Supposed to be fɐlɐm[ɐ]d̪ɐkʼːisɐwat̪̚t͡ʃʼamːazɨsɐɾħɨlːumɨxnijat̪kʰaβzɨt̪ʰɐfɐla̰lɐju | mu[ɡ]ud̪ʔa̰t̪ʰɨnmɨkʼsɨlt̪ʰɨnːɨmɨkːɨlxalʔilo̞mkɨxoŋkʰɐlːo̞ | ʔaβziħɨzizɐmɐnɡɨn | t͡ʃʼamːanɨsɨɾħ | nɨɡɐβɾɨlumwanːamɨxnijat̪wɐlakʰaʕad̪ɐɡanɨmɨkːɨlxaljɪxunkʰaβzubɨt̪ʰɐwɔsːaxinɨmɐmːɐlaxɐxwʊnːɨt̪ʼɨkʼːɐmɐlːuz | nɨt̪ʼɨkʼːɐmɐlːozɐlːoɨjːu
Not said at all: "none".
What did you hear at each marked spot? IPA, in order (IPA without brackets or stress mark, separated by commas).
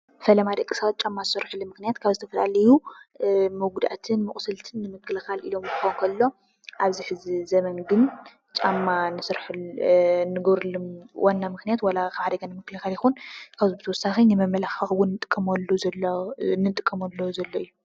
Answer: a, ɡ